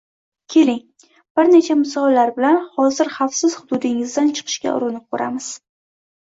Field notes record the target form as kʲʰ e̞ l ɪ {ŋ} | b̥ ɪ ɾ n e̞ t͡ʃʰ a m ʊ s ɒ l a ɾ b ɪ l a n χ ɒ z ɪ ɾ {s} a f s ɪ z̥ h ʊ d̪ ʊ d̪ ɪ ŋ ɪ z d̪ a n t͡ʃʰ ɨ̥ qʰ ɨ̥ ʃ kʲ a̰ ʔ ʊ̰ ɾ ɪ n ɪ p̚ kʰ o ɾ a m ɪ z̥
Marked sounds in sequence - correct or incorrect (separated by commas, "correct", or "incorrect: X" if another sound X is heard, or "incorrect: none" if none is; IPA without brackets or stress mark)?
correct, incorrect: χ